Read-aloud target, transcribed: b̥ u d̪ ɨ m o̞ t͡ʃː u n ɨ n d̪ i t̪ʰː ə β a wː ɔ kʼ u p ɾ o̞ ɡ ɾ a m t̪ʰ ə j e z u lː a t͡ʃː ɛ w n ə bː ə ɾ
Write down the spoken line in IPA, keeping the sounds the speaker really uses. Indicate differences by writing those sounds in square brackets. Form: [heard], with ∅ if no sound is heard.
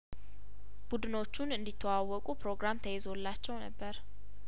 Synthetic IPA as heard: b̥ u d̪ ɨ [n] o̞ t͡ʃː u n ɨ n d̪ i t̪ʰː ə [w] a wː ɔ kʼ u p ɾ o̞ ɡ ɾ a m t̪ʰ ə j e z [o] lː a t͡ʃː ɛ w n ə bː ə ɾ